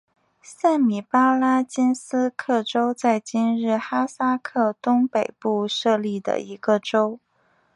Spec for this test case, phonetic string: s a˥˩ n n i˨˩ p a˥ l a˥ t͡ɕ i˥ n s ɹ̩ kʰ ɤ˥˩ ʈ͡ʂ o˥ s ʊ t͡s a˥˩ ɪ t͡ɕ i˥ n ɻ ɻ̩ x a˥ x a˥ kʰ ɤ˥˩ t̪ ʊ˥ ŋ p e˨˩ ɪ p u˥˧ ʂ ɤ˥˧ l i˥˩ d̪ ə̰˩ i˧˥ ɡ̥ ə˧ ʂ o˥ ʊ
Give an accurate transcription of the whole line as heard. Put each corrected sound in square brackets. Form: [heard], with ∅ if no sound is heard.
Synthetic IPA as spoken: s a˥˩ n [m] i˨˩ p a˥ l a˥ t͡ɕ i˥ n s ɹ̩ kʰ ɤ˥˩ ʈ͡ʂ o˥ [∅] ʊ t͡s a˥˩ ɪ t͡ɕ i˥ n ɻ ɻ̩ x a˥ [s] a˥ kʰ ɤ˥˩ t̪ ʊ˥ ŋ p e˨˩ ɪ p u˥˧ ʂ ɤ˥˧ l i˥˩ d̪ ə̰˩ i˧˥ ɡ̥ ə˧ [ʈ͡ʂ] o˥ ʊ